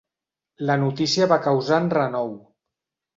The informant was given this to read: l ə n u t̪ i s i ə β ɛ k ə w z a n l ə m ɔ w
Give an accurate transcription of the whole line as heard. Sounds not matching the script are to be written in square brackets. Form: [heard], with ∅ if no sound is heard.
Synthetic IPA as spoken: l ə n u t̪ i s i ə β [a] k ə w z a n [r] ə [n] ɔ w